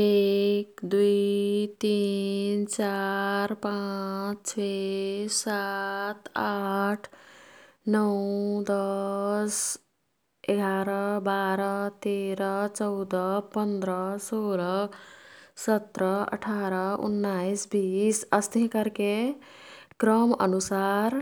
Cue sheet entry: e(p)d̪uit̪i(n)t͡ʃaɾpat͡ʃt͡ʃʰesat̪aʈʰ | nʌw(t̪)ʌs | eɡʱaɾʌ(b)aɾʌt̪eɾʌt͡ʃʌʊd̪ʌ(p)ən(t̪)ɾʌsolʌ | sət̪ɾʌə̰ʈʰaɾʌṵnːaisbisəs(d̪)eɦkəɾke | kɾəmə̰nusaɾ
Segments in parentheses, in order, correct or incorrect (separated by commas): incorrect, correct, incorrect, correct, correct, incorrect, incorrect